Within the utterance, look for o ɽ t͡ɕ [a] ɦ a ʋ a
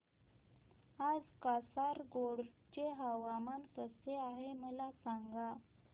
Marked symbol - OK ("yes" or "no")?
no